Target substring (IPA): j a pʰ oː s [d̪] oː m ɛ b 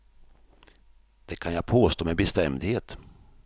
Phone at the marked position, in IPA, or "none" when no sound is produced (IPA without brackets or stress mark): t̪